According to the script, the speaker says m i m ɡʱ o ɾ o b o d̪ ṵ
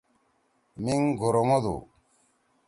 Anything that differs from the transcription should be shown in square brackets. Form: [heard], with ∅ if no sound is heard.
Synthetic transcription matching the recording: m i [ŋ] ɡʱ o ɾ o [m] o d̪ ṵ